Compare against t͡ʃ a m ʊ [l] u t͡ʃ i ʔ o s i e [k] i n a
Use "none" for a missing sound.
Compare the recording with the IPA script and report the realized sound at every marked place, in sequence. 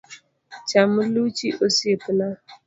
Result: l, p

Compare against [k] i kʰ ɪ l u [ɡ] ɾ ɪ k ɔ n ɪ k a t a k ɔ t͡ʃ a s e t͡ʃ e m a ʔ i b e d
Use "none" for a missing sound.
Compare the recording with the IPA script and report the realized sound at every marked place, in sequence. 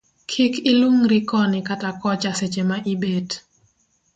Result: kʰ, ŋ

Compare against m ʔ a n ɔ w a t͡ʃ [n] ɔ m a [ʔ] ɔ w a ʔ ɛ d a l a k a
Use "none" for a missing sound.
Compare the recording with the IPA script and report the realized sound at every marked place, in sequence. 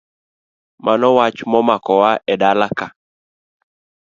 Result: m, k

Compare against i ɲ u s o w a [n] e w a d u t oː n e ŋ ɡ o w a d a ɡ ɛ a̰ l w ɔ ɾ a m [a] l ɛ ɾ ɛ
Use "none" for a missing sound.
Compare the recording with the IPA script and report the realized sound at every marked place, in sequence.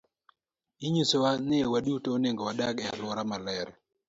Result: n, a

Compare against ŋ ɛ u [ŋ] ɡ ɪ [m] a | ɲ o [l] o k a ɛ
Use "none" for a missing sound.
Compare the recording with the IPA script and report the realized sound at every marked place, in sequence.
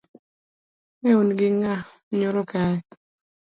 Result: n, ŋ, ɾ

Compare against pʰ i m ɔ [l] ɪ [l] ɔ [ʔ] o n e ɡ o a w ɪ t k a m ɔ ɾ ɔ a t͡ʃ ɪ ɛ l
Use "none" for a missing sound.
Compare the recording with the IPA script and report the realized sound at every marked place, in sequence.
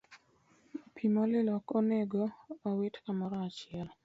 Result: l, l, k

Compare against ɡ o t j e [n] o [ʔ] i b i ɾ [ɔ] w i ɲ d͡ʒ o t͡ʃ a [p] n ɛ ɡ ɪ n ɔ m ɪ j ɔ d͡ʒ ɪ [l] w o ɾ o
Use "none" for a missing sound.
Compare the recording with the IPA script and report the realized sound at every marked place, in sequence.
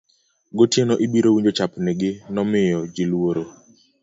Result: n, ʔ, o, p, l

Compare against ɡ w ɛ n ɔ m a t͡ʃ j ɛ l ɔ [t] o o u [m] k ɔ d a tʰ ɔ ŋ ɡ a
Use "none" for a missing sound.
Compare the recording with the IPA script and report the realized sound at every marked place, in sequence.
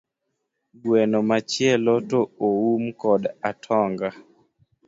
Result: t, m

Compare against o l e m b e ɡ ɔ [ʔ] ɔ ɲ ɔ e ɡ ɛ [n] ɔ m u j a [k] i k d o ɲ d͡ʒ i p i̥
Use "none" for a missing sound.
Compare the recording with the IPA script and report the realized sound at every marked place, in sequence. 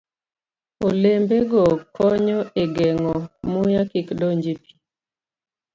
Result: k, ŋ, k

